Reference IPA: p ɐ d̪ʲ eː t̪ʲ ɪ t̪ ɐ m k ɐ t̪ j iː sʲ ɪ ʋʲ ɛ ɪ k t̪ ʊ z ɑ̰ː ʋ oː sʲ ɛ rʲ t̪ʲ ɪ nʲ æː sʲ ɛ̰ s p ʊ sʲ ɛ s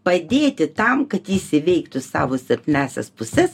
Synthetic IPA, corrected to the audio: p ɐ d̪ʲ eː t̪ʲ ɪ t̪ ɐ m k ɐ t̪ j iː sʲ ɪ ʋʲ ɛ ɪ k t̪ ʊ s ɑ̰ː ʋ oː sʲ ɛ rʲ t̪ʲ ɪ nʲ æː sʲ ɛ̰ s p ʊ sʲ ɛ s